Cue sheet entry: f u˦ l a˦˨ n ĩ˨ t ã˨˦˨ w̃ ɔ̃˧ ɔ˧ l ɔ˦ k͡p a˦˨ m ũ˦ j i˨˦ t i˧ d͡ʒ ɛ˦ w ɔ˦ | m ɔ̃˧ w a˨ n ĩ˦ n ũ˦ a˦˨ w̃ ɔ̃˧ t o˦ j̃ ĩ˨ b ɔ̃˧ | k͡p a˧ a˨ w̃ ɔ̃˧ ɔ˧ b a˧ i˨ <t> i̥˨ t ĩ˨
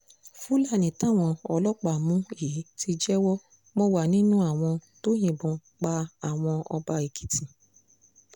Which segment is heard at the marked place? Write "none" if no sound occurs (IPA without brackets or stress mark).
k